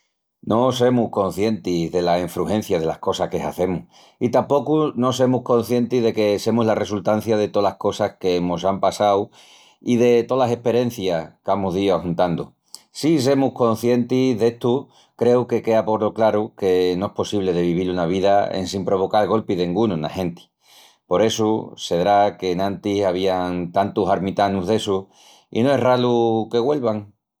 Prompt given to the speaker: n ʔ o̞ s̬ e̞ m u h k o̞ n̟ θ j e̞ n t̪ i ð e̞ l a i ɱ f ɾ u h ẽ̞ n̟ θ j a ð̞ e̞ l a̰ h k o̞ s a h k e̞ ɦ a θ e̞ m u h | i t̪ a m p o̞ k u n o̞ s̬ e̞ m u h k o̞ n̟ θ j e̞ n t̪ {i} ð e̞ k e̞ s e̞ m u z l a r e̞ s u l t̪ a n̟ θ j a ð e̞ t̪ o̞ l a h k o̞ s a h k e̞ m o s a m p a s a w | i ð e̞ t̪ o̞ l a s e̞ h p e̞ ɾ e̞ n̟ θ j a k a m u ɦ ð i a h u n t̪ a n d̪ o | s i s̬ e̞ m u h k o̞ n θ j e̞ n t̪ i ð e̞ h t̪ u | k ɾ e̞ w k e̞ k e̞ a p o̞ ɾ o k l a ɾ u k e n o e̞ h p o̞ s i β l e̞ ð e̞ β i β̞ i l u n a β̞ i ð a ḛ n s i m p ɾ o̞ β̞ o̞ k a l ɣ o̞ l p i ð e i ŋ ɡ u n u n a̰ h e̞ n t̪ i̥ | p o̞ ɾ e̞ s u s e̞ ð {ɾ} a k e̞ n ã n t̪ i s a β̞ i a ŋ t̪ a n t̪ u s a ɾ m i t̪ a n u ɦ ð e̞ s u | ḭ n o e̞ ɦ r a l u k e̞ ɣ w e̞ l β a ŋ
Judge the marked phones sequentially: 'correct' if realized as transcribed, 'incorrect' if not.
correct, correct

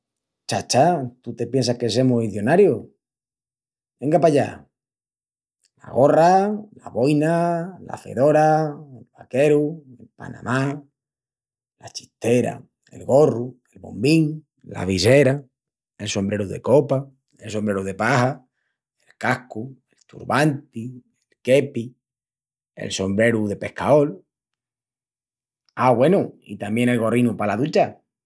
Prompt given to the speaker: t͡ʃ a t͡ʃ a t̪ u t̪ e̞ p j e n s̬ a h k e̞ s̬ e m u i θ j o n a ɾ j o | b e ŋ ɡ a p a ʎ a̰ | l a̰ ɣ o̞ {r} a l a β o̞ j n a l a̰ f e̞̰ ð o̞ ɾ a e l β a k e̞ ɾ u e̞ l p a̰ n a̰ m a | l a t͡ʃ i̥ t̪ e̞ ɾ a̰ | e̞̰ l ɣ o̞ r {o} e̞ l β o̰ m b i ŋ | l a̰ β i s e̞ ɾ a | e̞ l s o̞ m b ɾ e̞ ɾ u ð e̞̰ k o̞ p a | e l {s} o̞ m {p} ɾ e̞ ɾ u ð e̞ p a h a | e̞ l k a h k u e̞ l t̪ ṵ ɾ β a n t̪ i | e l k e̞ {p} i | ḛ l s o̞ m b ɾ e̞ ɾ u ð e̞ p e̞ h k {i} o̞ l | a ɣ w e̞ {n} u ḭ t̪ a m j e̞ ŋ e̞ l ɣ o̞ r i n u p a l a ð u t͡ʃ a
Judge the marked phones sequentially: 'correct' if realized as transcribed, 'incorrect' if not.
correct, incorrect: u, correct, incorrect: b, correct, incorrect: a, correct

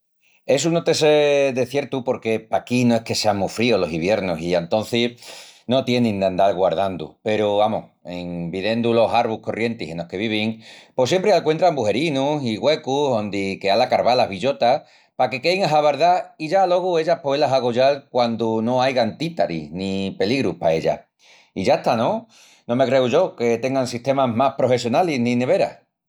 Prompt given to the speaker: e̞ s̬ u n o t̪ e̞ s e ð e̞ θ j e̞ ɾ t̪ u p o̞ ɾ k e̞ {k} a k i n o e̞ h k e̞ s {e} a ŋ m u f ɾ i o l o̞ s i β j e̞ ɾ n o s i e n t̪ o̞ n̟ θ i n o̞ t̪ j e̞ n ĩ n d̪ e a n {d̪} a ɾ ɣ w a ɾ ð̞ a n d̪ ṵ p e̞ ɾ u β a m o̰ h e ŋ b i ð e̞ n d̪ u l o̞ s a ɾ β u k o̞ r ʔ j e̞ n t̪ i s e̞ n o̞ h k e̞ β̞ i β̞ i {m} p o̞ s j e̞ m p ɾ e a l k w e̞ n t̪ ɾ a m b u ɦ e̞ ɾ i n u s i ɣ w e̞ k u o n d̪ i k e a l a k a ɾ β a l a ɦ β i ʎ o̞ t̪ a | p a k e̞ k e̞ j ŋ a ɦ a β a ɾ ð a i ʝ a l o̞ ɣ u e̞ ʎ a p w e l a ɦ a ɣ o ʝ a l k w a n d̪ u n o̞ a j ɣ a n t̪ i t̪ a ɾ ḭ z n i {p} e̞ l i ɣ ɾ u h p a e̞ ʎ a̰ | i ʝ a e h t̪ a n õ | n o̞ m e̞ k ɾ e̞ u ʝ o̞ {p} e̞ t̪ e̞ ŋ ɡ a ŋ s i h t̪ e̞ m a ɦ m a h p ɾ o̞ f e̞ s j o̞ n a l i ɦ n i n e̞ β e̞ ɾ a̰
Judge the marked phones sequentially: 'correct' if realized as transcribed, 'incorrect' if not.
incorrect: p, correct, correct, incorrect: ŋ, correct, incorrect: k

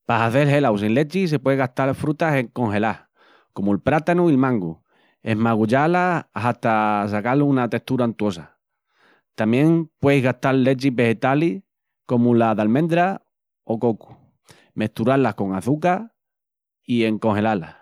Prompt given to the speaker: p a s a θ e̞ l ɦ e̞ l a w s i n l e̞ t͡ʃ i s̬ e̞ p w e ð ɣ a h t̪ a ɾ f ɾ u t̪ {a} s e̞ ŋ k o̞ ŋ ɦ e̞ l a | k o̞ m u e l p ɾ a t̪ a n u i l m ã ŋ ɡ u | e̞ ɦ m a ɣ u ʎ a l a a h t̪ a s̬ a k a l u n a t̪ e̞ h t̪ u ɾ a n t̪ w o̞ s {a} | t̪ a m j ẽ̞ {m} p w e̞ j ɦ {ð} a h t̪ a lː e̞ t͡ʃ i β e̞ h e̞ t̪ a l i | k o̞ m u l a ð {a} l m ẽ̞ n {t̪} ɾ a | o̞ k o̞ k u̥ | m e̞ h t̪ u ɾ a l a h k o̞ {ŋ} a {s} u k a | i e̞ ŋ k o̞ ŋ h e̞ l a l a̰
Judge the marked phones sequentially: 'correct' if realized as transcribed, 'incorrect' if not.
correct, correct, incorrect: ŋ, incorrect: ɣ, correct, incorrect: d̪, correct, incorrect: θ

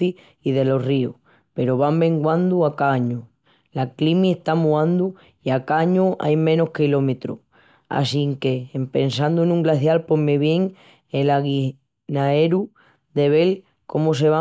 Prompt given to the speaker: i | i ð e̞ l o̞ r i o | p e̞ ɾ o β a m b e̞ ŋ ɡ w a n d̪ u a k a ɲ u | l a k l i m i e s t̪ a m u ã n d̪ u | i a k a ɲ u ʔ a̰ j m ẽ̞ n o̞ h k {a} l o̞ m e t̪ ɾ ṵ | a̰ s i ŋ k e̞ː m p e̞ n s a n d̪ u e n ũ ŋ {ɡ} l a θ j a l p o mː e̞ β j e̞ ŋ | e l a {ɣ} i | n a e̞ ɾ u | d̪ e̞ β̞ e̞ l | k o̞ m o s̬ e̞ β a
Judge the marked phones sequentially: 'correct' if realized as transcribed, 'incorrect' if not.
incorrect: i, correct, correct

